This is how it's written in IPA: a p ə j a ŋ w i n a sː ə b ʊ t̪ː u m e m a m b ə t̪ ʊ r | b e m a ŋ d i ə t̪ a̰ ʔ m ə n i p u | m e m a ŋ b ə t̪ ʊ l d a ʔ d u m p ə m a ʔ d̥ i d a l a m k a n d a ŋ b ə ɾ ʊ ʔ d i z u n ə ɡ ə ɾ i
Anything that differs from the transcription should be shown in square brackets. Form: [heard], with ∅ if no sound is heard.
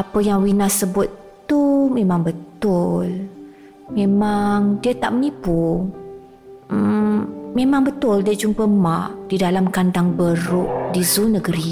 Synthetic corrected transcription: a p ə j a ŋ w i n a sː ə b ʊ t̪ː u m e m a [ŋ] b ə t̪ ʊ [l] | [m] e m a ŋ d i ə t̪ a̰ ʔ m ə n i p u | m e m a ŋ b ə t̪ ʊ l d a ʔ [d͡ʒ] u m p ə m a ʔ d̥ i d a l a m k a n d a ŋ b ə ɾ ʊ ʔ d i z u n ə ɡ ə ɾ i